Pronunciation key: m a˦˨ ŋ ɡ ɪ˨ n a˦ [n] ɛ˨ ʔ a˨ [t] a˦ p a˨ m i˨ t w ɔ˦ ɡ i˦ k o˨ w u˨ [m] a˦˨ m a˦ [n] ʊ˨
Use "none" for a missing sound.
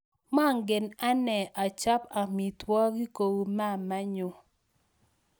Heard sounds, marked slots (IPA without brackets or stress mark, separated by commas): n, t͡ʃ, m, ɲ